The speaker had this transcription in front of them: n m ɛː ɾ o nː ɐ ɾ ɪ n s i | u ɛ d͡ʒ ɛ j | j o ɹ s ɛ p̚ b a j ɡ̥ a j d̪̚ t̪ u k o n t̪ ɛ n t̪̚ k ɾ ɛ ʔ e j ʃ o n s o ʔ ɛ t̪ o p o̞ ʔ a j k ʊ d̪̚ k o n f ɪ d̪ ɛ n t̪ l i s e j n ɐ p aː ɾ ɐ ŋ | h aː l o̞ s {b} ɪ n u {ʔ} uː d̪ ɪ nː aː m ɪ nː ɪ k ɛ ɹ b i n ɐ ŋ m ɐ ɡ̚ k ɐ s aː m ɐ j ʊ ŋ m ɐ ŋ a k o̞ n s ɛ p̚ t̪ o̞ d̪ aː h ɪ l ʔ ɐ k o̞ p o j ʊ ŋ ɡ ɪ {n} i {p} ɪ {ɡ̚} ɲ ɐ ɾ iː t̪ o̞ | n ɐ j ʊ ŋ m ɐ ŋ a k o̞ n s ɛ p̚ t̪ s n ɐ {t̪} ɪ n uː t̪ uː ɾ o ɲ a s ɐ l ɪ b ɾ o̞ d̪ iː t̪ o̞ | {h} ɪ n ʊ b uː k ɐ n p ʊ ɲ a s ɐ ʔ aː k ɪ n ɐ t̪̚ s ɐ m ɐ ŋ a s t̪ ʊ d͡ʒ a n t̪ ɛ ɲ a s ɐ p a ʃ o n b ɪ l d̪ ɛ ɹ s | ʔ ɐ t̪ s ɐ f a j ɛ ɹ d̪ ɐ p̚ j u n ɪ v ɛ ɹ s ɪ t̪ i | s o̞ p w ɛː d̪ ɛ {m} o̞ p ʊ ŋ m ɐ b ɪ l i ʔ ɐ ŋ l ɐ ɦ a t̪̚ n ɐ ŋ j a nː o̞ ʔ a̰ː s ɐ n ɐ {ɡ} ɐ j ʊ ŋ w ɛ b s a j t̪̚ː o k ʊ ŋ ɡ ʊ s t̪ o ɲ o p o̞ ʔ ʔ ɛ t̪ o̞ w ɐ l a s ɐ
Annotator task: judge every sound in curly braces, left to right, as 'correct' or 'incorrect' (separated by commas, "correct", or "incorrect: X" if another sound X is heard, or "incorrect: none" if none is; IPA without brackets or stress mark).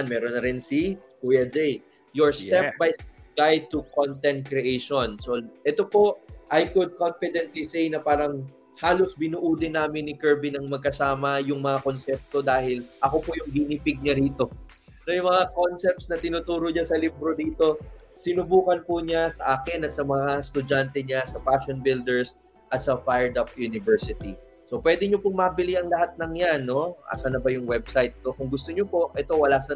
correct, correct, correct, correct, correct, correct, incorrect: s, incorrect: ɲ, incorrect: b